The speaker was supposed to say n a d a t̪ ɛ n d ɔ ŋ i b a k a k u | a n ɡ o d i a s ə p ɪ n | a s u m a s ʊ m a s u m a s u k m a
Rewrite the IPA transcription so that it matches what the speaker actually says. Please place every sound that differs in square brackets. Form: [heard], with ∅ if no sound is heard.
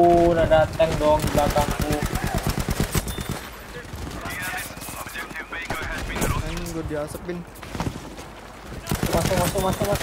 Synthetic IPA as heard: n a d a t̪ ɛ [ŋ] d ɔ ŋ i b a k a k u | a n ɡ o d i a s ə p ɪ n | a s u m a s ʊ m a s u m a s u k m a